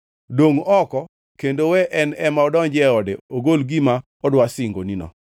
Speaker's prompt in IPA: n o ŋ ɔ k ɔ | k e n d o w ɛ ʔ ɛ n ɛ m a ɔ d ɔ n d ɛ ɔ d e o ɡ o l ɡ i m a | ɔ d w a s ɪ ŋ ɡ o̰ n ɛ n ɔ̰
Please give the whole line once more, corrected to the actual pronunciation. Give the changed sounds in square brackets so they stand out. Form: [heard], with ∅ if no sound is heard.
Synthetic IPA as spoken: [d] o ŋ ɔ k ɔ | k e n d o w ɛ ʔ ɛ n ɛ m a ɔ d ɔ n [d͡ʒ] ɛ ɔ d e o ɡ o l ɡ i m a | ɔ d w a s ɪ ŋ ɡ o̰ n [i] n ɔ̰